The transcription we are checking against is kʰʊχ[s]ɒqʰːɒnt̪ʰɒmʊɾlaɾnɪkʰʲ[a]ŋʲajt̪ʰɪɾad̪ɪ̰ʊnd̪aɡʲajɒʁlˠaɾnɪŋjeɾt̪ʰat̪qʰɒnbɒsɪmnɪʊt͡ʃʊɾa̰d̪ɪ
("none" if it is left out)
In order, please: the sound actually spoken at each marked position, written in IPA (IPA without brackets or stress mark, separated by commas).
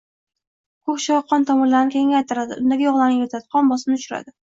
ʃ, e